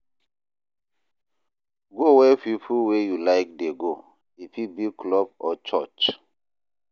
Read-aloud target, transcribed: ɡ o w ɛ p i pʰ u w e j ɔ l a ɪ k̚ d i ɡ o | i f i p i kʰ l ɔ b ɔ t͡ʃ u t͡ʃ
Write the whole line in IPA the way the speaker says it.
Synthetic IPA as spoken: ɡ o w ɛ p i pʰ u w e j u l a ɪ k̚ d e ɡ o | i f i b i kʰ l ɔ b ɔ t͡ʃ ɔ t͡ʃ